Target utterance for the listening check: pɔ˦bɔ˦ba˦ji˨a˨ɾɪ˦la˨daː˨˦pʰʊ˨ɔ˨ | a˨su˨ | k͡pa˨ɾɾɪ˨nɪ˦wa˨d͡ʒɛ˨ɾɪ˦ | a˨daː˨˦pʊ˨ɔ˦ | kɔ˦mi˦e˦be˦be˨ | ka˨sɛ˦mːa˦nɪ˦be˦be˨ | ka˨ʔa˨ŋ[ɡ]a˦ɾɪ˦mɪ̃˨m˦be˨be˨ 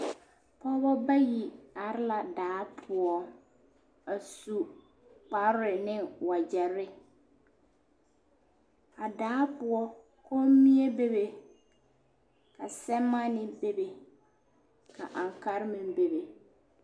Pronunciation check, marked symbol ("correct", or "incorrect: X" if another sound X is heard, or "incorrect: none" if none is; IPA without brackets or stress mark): incorrect: k